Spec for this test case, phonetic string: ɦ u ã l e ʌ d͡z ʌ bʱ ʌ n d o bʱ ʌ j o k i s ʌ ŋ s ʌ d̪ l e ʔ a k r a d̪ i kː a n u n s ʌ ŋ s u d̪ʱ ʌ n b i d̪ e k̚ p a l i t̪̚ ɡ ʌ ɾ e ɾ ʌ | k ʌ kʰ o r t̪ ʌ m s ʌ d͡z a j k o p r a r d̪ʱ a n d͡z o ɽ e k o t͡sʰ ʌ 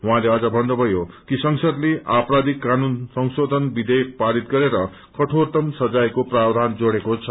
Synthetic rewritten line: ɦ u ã l e ʌ d͡z ʌ bʱ ʌ n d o bʱ ʌ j o k i s ʌ ŋ s ʌ d̪ l e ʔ a p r a d̪ i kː a n u n s ʌ ŋ s o d̪ʱ ʌ n b i d̪ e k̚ p a ɾ i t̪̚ ɡ ʌ ɾ e ɾ ʌ | k ʌ ʈʰ o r t̪ ʌ m s ʌ d͡z a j k o p r a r d̪ʱ a n d͡z o ɽ e k o t͡sʰ ʌ